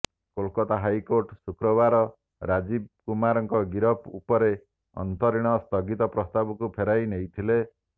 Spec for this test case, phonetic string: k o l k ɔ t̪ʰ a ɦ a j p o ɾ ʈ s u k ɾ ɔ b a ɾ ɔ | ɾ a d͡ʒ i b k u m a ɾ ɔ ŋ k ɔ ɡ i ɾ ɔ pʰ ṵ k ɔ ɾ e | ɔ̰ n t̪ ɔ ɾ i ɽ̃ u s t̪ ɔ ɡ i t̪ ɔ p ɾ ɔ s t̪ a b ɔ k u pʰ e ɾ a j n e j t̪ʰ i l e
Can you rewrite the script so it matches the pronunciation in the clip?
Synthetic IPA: k o l k ɔ t̪ a ɦ a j k o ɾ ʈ s u k ɾ ɔ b a ɾ ɔ | ɾ a d͡ʒ i b k u m a ɾ ɔ ŋ k ɔ ɡ i ɾ ɔ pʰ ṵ p ɔ ɾ e | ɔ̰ n t̪ ɔ ɾ i ɽ̃ ɔ s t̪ ɔ ɡ i t̪ ɔ p ɾ ɔ s t̪ a b ɔ k u pʰ e ɾ a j n e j t̪ʰ i l e

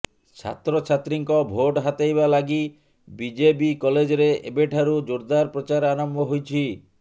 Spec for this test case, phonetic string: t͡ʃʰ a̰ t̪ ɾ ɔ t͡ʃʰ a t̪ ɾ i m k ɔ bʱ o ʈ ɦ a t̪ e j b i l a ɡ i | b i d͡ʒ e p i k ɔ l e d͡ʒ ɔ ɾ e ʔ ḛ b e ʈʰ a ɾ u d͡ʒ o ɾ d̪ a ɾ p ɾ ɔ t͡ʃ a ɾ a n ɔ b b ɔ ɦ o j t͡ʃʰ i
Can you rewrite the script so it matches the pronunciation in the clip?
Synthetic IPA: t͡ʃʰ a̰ t̪ ɾ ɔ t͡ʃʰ a t̪ ɾ i ŋ k ɔ bʱ o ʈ ɦ a t̪ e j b a l a ɡ i | b i d͡ʒ e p i k ɔ l e d͡ʒ ɔ ɾ e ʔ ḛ b e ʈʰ a ɾ u d͡ʒ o ɾ d̪ a ɾ p ɾ ɔ t͡ʃ a ɾ a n ɔ m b ɔ ɦ o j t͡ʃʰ i

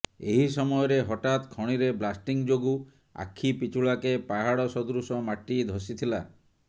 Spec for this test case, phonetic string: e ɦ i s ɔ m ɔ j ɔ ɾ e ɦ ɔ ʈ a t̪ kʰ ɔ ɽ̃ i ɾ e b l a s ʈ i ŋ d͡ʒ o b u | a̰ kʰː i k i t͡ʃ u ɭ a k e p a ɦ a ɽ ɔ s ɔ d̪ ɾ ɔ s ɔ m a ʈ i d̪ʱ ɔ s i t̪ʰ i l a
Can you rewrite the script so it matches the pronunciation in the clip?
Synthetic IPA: e ɦ i s ɔ m ɔ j ɔ ɾ e ɦ ɔ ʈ a t̪ kʰ ɔ ɽ̃ i ɾ e b l a s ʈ i ŋ d͡ʒ o ɡ u | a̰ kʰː i p i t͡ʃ u ɭ a k e p a ɦ a ɽ ɔ s ɔ d̪ ɾ u s ɔ m a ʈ i d̪ʱ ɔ s i t̪ʰ i l a

